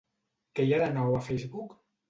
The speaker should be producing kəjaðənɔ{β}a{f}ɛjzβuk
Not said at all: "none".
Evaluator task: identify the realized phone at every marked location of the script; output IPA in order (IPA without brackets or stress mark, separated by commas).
w, f